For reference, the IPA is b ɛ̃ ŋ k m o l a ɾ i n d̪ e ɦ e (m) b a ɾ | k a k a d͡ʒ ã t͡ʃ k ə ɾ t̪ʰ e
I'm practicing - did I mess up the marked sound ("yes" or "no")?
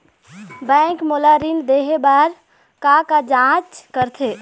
yes